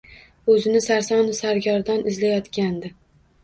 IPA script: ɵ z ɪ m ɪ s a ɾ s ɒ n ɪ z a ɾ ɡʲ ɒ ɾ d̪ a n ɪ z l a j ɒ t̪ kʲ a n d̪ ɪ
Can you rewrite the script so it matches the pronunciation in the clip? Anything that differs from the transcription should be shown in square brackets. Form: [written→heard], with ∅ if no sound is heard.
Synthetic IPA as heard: ɵ z ɪ [m→n] ɪ s a ɾ s ɒ n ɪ [z→s] a ɾ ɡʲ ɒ ɾ d̪ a n ɪ z l a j ɒ t̪ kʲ a n d̪ ɪ